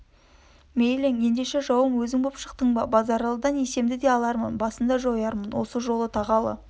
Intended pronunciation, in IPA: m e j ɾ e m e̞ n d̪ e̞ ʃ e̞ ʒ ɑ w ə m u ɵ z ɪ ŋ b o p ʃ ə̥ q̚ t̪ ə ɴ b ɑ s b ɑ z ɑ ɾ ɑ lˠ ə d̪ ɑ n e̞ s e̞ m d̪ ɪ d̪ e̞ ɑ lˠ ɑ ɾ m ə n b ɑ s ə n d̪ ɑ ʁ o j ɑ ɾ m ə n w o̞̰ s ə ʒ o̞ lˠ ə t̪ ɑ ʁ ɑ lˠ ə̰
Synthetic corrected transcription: m e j l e ŋ e̞ n d̪ e̞ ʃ e̞ ʒ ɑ w ə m w ɵ z ɪ ŋ b o p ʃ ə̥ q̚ t̪ ə ɴ b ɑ b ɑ z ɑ ɾ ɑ lˠ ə d̪ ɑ n e̞ s e̞ m d̪ ɪ d̪ e̞ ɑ lˠ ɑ ɾ m ə n b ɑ s ə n d̪ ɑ ʒ o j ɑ ɾ m ə n w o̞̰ s ə ʒ o̞ lˠ ə t̪ʰ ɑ ʁ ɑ lˠ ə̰